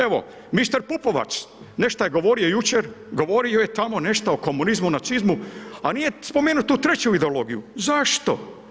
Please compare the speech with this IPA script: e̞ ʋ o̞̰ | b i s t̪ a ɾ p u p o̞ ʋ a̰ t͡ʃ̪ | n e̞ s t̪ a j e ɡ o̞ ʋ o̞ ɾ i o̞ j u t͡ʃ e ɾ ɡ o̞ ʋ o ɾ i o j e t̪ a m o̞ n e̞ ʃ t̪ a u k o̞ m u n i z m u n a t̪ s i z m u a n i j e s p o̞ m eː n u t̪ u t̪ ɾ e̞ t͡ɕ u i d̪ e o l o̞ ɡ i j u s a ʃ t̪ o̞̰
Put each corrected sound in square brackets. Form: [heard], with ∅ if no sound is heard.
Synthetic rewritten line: e̞ ʋ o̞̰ | [m] i s t̪ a ɾ p u p o̞ ʋ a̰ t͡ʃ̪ | n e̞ [ʃ] t̪ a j e ɡ o̞ ʋ o̞ ɾ i o̞ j u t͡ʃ e ɾ ɡ o̞ ʋ o ɾ i o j e t̪ a m o̞ n e̞ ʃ t̪ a [o] k o̞ m u n i z m u n a t̪ s i z m u a n i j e s p o̞ m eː n u t̪ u t̪ ɾ e̞ t͡ɕ u i d̪ e o l o̞ ɡ i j u [z] a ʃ t̪ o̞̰